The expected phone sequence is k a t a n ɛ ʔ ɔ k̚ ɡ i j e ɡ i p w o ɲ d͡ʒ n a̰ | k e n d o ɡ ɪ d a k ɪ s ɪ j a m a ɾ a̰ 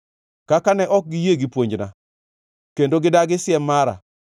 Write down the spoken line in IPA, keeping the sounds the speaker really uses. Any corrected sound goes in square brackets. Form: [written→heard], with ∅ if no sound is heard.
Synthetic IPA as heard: k a [t→k] a n ɛ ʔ ɔ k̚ ɡ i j e ɡ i p w o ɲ d͡ʒ n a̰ | k e n d o ɡ ɪ d a [k→ɡ] ɪ s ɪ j [a→ɛ] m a ɾ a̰